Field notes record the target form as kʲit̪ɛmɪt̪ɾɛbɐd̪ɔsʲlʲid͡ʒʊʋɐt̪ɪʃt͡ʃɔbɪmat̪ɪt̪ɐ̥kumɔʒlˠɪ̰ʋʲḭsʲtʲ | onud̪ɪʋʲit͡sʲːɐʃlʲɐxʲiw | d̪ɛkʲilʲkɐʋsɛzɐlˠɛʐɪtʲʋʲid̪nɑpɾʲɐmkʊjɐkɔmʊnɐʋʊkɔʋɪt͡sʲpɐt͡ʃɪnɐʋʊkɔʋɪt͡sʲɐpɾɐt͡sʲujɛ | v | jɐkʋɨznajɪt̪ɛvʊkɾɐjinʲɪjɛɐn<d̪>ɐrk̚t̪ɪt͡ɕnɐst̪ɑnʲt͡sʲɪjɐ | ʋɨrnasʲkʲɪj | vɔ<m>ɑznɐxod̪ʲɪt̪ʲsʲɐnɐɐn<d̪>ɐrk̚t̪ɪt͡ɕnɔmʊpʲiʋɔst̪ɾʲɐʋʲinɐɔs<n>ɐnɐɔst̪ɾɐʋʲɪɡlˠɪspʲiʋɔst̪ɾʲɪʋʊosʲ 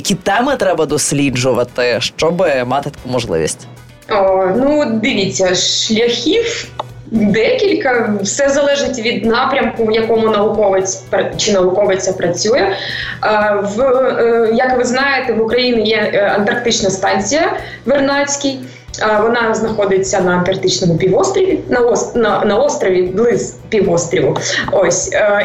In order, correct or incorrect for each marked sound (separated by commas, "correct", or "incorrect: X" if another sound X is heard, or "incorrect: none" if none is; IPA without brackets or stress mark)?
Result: incorrect: t̪, incorrect: n, incorrect: t̪, correct